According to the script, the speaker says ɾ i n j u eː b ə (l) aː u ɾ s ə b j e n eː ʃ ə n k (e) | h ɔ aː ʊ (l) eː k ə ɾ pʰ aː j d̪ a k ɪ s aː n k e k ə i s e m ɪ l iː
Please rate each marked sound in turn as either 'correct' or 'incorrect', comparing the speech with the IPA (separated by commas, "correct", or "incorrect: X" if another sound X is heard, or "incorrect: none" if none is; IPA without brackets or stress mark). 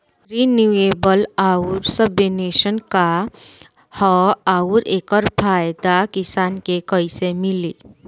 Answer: correct, incorrect: a, incorrect: ɾ